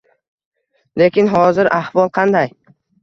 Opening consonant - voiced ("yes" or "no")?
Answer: yes